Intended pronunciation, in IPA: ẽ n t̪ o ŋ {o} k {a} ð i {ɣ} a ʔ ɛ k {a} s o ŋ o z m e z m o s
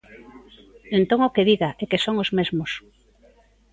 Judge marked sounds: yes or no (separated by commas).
yes, no, yes, no